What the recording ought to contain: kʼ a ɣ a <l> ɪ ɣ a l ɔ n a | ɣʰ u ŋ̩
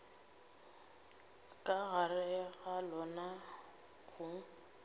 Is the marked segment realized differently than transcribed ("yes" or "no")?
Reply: yes